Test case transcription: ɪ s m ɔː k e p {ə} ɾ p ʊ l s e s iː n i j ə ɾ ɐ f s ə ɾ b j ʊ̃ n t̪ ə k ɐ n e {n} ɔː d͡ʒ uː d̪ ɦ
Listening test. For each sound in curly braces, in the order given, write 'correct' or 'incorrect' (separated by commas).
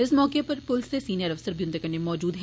incorrect, incorrect